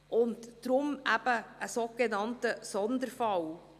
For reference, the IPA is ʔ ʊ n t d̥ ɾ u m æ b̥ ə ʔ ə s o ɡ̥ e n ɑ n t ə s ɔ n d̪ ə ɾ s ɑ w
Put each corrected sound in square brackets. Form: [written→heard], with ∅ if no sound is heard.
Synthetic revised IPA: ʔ ʊ n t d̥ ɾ [u→ʊ] m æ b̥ ə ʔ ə s o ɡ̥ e n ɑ n t ə s ɔ n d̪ ə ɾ [s→f] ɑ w